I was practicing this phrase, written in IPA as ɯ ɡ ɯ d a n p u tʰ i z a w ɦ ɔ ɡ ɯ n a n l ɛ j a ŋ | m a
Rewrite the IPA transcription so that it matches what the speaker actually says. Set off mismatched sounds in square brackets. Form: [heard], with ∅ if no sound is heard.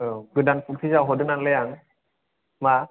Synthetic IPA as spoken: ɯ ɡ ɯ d a n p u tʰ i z a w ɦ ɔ [d] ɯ n a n l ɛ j a ŋ | m a